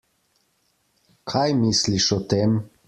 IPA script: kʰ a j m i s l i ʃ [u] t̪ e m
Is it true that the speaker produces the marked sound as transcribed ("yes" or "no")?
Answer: no